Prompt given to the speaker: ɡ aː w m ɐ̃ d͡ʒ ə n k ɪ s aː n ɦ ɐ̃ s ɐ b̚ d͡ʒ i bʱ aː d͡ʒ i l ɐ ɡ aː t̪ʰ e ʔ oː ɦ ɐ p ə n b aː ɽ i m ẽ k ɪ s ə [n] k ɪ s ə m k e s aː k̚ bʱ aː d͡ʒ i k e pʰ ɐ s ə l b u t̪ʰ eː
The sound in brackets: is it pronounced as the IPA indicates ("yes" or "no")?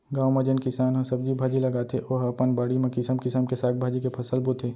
no